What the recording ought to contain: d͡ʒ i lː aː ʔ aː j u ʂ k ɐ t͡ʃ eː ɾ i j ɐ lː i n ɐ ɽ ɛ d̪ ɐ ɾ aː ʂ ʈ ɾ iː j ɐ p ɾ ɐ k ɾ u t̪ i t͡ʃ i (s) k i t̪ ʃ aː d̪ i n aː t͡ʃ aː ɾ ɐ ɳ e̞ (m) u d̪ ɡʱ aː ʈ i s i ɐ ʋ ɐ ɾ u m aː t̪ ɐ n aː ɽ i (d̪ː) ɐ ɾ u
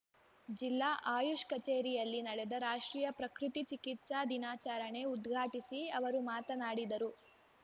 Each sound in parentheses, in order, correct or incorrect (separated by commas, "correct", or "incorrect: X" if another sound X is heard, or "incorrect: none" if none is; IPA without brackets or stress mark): incorrect: none, incorrect: none, incorrect: d̪